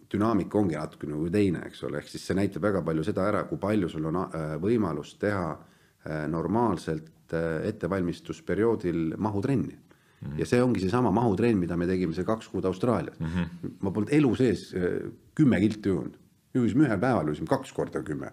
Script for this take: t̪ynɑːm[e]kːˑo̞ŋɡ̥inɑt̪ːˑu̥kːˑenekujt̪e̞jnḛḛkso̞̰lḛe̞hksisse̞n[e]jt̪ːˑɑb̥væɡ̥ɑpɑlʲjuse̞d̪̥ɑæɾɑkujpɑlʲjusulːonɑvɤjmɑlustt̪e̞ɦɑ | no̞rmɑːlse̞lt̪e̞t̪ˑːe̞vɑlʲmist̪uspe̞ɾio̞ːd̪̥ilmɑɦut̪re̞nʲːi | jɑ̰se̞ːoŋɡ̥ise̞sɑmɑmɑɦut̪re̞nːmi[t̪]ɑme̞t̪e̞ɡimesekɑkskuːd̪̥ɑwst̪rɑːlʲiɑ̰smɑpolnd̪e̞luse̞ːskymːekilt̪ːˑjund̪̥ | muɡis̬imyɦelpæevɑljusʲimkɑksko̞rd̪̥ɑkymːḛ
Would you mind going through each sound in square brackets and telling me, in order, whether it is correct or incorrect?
incorrect, incorrect, incorrect

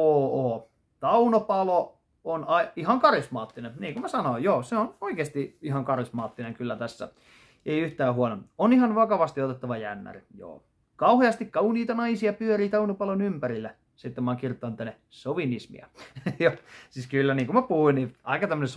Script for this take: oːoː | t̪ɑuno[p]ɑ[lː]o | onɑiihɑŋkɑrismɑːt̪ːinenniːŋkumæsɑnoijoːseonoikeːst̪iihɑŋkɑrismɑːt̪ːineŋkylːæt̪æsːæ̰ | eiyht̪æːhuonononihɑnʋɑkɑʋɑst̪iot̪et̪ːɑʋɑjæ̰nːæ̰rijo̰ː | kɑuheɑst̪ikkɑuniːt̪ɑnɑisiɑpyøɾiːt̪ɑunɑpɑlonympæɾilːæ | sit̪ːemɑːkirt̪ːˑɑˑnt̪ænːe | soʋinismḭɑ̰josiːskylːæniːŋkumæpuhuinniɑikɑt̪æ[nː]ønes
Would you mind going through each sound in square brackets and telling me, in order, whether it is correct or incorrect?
correct, incorrect, incorrect

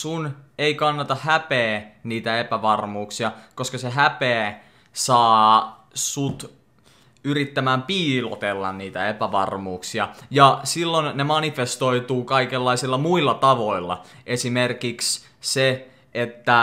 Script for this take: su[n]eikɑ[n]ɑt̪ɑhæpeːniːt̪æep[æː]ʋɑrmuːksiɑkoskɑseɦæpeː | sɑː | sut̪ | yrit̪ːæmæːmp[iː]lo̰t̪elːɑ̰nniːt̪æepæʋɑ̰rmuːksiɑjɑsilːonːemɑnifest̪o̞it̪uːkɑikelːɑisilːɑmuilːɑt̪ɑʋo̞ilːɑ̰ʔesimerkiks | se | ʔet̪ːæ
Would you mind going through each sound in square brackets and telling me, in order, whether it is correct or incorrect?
correct, incorrect, incorrect, correct

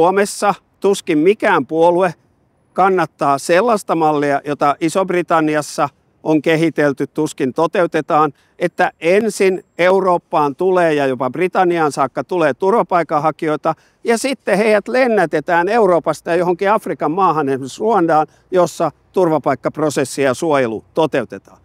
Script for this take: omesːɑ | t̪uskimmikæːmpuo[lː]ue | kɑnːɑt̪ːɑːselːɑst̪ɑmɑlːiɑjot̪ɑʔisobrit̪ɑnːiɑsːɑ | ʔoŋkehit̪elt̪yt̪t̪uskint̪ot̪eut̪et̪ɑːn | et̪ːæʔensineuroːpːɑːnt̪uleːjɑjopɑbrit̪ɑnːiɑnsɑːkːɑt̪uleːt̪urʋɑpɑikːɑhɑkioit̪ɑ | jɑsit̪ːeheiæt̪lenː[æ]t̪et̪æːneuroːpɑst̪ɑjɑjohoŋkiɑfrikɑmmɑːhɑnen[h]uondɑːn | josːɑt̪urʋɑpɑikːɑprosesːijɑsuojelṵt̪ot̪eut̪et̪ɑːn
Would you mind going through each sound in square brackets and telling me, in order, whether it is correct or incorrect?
incorrect, correct, incorrect

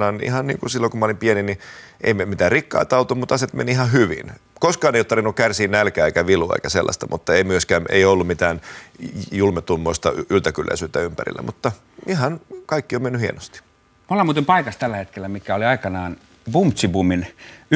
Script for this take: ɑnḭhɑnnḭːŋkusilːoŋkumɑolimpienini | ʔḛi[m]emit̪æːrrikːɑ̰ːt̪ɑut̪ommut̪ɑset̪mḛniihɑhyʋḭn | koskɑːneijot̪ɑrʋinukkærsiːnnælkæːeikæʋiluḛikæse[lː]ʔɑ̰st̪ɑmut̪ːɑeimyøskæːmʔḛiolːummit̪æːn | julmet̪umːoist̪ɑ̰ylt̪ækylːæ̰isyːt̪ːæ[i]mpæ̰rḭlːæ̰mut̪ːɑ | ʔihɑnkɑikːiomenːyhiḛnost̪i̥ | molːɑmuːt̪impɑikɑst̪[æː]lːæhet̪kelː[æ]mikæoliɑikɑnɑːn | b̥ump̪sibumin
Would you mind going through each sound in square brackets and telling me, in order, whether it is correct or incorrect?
correct, correct, incorrect, incorrect, correct

